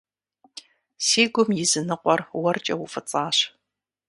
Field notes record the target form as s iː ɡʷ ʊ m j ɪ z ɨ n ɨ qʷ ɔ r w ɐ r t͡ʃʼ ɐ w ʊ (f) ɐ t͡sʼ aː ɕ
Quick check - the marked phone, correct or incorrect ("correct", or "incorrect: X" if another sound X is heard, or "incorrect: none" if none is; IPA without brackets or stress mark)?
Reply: correct